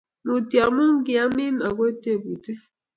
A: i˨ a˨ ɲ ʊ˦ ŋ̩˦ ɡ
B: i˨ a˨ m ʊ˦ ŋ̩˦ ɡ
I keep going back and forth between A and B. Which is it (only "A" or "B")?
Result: B